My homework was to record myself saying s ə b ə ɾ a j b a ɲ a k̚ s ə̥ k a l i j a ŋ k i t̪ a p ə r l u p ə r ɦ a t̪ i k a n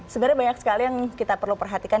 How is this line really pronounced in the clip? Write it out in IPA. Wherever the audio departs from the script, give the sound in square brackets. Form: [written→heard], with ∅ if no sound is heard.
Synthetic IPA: s ə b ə ɾ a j b a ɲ a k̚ s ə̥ k a l i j a ŋ k i t̪ a p ə r l u p ə r ɦ a t̪ i k a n